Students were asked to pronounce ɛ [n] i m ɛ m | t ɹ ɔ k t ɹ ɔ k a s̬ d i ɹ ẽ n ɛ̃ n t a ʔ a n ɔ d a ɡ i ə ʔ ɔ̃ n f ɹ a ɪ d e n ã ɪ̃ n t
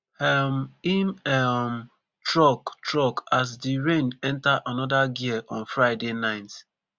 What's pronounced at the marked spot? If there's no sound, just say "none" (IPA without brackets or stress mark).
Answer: m